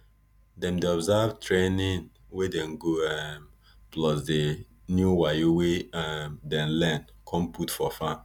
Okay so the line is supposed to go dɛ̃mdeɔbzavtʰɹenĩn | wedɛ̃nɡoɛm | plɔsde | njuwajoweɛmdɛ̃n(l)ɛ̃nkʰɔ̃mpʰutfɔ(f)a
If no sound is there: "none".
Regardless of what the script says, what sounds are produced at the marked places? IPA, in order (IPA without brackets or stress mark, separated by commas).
l, f